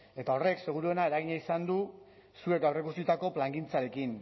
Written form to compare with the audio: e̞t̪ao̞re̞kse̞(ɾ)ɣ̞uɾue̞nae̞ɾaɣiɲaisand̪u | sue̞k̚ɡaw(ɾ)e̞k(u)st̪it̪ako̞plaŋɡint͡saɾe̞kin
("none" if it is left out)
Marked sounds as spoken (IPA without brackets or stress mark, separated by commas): none, r, u